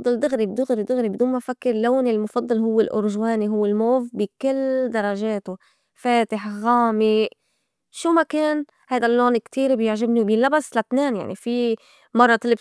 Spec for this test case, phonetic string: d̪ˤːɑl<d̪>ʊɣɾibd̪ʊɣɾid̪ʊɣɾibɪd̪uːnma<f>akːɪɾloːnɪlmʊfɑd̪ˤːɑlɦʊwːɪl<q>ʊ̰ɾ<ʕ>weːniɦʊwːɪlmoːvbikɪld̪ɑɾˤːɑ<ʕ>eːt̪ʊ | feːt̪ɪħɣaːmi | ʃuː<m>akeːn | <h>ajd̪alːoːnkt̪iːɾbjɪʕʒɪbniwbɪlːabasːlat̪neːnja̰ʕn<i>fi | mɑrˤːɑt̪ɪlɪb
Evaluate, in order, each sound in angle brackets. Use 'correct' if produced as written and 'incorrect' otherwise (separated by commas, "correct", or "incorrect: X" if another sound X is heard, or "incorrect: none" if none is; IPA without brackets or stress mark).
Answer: correct, correct, incorrect: ʔ, incorrect: ʒ, incorrect: ʒ, correct, correct, correct